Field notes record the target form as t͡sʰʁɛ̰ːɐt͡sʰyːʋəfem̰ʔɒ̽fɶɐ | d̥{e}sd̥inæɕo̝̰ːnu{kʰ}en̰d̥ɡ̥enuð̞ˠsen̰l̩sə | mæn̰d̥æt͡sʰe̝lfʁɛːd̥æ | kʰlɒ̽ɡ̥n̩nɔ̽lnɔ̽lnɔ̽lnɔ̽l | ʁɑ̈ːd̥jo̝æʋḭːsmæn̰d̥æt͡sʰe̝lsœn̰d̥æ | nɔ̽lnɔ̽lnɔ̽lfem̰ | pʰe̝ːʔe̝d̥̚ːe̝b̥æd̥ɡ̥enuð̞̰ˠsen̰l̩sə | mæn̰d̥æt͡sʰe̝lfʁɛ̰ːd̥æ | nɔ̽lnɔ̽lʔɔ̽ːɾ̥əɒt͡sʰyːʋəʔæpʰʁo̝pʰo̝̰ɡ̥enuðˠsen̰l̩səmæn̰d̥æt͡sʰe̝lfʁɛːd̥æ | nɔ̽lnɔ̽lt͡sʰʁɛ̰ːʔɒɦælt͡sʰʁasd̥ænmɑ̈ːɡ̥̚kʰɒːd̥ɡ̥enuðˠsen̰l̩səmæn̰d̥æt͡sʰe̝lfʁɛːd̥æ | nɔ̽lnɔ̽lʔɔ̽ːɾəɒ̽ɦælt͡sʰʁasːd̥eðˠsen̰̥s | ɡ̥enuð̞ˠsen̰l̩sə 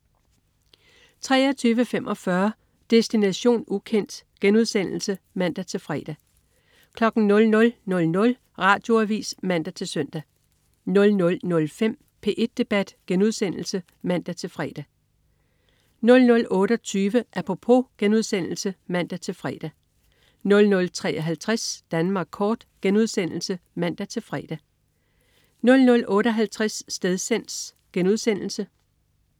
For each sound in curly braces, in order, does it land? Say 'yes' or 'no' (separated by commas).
yes, yes